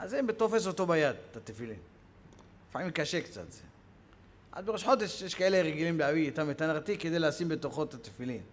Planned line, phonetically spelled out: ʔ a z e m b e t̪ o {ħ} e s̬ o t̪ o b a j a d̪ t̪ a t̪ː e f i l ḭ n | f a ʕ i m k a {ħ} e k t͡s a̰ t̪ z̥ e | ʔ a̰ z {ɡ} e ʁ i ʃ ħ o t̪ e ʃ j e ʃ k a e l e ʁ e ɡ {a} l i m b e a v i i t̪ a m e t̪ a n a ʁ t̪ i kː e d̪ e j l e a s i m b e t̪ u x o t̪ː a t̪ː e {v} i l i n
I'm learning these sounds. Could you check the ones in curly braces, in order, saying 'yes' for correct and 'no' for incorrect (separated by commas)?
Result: no, no, no, no, no